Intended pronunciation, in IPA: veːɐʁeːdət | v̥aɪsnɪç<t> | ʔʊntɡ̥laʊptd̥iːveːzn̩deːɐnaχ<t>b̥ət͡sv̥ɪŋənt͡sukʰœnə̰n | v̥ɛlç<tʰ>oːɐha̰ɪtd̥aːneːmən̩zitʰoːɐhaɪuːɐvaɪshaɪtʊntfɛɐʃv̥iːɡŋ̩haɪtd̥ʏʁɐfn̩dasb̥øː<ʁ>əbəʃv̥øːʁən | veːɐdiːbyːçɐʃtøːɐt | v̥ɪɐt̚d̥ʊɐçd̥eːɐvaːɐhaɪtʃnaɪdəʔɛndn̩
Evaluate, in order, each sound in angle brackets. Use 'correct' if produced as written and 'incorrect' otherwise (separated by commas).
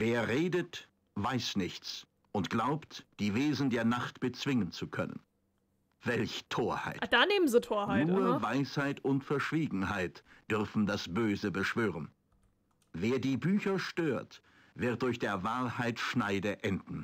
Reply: incorrect, correct, correct, incorrect